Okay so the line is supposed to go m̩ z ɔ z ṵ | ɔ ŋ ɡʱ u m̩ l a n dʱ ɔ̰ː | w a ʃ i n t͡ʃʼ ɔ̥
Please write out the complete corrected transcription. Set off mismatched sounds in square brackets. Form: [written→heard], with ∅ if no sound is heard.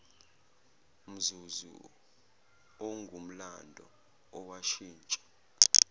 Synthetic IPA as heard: m̩ z [ɔ→u] z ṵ | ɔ ŋ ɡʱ u m̩ l a n dʱ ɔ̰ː | w a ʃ [i→iː] n t͡ʃʼ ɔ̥